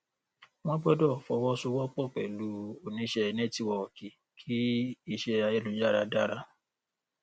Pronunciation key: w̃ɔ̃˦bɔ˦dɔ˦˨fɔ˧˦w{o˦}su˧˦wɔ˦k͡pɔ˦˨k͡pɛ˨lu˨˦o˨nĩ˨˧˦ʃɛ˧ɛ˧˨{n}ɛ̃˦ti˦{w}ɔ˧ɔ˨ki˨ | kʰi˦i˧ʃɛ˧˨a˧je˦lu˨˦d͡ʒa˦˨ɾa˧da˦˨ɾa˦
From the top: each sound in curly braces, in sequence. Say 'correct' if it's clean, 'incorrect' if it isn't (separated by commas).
incorrect, correct, correct